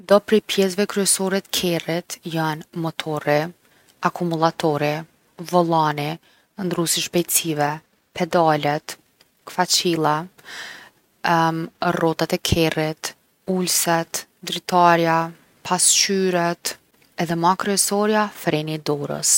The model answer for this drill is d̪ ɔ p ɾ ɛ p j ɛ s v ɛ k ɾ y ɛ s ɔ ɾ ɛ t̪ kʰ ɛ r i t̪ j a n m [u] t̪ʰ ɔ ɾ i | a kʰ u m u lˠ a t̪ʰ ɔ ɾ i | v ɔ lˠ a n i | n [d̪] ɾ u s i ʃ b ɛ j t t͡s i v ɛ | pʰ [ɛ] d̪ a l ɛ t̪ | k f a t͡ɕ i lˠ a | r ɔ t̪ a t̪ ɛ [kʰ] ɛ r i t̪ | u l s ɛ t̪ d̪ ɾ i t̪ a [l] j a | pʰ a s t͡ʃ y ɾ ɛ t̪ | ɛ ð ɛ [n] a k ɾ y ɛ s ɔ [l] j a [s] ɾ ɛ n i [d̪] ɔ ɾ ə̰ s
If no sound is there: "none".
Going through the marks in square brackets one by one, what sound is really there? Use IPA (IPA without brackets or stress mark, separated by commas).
ɔ, d̪, ɛ, kʰ, ɾ, m, ɾ, f, d̪